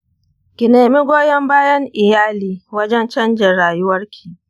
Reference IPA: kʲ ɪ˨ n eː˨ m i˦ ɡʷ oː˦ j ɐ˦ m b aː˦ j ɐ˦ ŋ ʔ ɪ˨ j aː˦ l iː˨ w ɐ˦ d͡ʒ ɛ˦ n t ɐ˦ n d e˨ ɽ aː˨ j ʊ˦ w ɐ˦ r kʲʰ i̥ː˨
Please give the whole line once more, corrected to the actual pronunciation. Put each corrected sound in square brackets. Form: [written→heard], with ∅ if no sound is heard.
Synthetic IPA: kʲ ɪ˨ n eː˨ m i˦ ɡʷ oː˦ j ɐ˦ m b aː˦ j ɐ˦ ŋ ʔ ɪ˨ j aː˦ l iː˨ w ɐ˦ d͡ʒ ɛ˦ n [t→t͡ʃ] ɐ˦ n [d→d͡ʒ] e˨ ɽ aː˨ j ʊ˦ w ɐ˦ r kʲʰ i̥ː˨